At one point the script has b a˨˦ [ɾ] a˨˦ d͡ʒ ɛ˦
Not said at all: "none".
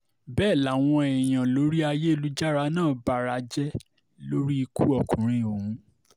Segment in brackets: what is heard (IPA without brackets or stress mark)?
ɾ